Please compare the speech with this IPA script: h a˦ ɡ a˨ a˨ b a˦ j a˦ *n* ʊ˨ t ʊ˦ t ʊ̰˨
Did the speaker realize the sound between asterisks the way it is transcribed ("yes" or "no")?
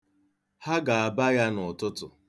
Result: yes